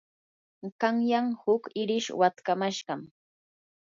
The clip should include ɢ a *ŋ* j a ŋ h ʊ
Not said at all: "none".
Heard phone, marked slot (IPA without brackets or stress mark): ŋ